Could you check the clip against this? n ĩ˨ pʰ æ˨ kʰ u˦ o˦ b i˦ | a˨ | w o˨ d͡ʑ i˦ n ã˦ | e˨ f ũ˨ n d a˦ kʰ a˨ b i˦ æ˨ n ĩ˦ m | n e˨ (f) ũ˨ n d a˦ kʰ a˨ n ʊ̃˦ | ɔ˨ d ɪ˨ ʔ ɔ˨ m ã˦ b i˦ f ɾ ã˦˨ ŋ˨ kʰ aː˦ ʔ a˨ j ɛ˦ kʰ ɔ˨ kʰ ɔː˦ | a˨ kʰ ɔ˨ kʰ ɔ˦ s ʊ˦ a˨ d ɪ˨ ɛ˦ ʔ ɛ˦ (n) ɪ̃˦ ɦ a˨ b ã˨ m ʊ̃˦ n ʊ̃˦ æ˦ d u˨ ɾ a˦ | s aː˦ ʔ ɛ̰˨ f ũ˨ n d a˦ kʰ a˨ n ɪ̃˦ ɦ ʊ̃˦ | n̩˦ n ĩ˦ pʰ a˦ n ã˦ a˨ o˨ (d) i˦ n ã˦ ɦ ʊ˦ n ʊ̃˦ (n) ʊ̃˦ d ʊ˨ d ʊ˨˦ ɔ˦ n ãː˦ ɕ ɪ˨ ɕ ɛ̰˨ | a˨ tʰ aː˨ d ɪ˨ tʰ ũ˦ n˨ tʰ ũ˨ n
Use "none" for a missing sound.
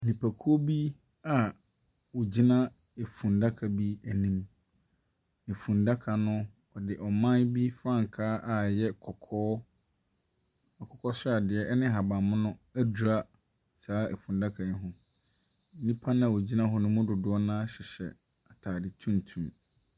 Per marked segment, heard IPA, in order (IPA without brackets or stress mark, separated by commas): f, n, d͡ʑ, m